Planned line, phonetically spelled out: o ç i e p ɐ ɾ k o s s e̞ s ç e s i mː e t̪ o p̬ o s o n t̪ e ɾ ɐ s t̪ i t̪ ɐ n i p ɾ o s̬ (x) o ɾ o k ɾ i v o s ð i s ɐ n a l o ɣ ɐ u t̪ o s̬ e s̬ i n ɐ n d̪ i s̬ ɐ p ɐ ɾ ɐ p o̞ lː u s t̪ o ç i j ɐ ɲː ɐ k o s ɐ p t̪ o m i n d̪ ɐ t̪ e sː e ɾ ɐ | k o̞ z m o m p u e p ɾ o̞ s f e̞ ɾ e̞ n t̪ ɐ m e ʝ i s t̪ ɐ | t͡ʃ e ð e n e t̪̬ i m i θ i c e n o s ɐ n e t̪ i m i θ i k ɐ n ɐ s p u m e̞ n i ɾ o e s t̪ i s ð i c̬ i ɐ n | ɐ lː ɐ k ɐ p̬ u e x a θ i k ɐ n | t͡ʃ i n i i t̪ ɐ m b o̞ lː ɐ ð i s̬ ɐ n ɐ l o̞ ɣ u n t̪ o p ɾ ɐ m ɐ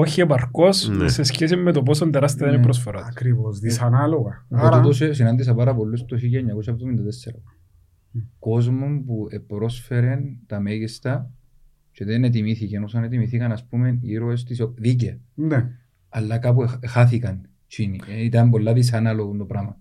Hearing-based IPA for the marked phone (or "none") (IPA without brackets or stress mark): f